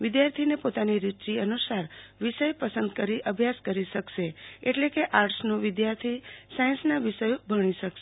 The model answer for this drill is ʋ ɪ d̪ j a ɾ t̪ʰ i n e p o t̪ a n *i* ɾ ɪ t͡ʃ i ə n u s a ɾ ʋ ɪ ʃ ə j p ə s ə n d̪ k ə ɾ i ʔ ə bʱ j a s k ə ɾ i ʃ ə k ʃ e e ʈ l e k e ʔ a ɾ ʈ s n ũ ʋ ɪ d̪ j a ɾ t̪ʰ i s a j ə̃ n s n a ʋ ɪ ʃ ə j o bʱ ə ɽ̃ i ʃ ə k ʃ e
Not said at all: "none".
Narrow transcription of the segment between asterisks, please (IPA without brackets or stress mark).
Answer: i